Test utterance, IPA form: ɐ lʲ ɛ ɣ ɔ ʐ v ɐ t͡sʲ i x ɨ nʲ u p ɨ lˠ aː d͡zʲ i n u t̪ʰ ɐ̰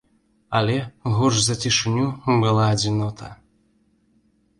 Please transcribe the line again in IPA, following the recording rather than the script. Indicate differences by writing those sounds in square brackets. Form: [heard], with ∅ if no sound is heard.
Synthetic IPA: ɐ lʲ ɛ ɣ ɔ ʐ [z] ɐ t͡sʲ i [ʂ] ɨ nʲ u [b] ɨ lˠ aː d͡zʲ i n [ɔ] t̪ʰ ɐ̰